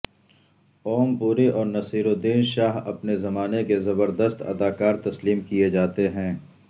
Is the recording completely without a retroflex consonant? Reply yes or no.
yes